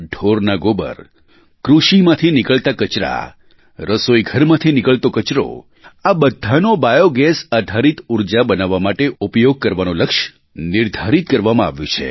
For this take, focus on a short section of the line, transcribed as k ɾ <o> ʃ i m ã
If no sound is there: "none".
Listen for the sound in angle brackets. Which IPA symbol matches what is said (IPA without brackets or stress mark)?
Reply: u